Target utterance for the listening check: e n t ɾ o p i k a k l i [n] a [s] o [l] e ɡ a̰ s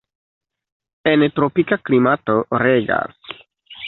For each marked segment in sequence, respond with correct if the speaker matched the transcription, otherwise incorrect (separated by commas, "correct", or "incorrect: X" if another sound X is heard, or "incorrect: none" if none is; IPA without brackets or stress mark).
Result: incorrect: m, incorrect: t, incorrect: ɾ